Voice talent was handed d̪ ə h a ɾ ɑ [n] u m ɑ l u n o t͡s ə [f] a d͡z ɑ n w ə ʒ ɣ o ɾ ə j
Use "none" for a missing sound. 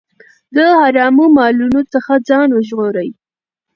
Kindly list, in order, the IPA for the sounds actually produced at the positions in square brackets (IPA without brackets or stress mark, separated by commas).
m, x